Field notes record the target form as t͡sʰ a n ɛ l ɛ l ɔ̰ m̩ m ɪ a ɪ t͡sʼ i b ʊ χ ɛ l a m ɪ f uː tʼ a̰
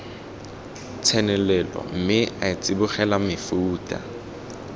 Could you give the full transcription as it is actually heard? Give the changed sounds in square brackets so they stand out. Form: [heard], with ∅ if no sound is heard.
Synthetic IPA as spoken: t͡sʰ [ɛ] n ɛ l ɛ l ɔ̰ m̩ m ɪ a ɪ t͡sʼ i b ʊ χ ɛ l a m ɪ f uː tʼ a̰